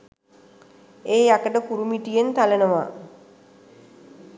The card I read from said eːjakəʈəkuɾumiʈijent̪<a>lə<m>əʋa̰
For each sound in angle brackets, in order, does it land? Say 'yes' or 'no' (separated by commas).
yes, no